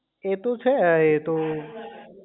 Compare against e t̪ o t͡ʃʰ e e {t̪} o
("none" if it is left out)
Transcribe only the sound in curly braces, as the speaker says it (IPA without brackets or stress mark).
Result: t̪